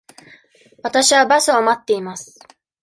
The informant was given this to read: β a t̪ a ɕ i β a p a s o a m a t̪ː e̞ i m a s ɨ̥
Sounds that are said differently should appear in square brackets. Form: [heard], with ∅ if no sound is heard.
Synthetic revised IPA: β a t̪ a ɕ i β a [b] a s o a m a t̪ː e̞ i m a s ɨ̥